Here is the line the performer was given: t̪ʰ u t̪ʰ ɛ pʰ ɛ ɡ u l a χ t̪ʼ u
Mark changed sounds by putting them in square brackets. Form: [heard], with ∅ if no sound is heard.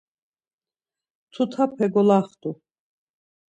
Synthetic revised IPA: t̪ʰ u t̪ʰ [a] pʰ ɛ ɡ [ɔ] l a χ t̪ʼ u